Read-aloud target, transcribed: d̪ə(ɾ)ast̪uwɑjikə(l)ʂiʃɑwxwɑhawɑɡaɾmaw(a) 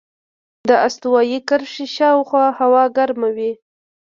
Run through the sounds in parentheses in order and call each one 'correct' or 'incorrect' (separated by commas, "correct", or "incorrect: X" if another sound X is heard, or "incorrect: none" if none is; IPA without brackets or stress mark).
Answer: incorrect: none, incorrect: ɾ, incorrect: i